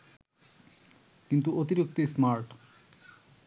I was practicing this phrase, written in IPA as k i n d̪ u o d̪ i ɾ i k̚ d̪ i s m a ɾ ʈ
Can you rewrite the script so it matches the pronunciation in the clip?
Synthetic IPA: k i n t̪ u o t̪ i ɾ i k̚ t̪ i s m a ɾ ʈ